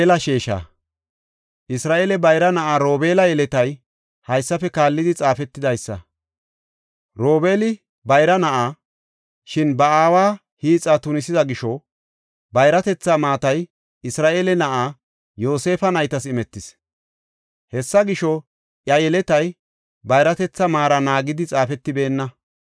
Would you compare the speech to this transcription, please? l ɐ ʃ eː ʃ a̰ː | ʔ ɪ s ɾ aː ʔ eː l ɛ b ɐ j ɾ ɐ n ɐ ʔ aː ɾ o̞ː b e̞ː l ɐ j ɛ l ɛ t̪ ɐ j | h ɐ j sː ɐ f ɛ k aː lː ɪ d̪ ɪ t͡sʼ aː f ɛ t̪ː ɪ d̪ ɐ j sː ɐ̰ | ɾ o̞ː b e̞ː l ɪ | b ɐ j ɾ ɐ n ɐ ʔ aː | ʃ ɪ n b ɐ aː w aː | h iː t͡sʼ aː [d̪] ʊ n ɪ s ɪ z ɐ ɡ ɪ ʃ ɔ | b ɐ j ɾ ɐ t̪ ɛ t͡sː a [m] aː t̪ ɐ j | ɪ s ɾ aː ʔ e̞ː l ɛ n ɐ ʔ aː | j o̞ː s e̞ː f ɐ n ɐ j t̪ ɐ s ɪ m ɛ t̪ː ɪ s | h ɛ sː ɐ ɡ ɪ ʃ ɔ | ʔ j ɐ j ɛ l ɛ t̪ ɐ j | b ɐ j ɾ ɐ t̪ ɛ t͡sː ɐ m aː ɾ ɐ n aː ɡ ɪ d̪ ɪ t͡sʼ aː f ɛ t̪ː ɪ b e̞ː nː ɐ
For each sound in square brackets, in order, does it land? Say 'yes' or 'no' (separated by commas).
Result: no, yes